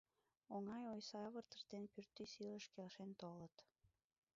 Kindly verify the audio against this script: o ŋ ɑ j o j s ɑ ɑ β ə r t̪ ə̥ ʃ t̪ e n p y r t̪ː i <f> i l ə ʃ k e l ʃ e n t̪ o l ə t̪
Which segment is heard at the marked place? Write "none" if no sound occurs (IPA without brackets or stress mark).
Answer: s